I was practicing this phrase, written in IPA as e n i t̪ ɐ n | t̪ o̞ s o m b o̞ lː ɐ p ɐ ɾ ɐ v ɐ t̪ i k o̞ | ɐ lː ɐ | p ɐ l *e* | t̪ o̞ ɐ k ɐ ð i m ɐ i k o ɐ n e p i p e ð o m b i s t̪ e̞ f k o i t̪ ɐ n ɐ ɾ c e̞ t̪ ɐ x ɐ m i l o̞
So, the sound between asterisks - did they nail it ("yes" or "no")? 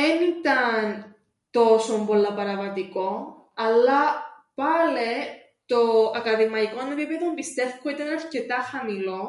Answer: yes